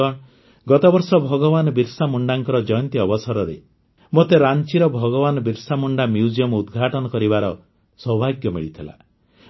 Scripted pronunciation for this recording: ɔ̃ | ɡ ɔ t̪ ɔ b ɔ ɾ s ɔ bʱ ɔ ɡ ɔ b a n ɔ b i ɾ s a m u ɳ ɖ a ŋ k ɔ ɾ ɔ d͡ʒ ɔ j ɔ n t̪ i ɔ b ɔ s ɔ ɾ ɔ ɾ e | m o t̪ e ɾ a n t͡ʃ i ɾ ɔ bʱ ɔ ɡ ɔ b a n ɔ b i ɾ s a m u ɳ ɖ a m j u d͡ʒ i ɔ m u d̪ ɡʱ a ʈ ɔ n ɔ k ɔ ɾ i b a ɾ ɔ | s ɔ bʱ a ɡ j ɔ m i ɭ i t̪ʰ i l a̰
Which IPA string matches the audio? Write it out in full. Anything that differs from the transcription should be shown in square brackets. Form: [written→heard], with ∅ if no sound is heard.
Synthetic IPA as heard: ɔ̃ | ɡ ɔ t̪ ɔ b ɔ ɾ s ɔ bʱ ɔ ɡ ɔ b a n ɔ b i ɾ s a m u ɳ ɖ a ŋ k ɔ ɾ ɔ d͡ʒ ɔ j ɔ n t̪ i ɔ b ɔ s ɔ ɾ ɔ ɾ e | m o t̪ e ɾ a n t͡ʃ i ɾ ɔ bʱ ɔ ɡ ɔ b a n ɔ b i ɾ s a m u ɳ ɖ a m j u d͡ʒ i ɔ m u d̪ ɡʱ a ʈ ɔ n ɔ k ɔ ɾ i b a ɾ ɔ | s ɔ bʱ a ɡ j ɔ m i ɭ i t̪ʰ i l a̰